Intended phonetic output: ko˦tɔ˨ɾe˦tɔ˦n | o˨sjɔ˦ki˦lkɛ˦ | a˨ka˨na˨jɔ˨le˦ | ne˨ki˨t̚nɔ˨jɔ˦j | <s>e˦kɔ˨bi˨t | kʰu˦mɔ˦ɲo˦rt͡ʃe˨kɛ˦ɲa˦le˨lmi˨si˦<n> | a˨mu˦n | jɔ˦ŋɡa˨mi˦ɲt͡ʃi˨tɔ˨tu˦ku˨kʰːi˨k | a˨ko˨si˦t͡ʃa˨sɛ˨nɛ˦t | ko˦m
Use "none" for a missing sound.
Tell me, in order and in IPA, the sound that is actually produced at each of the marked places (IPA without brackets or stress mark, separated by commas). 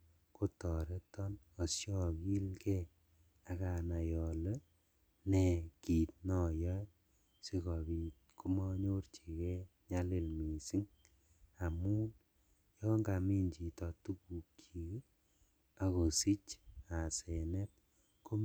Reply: s, ŋ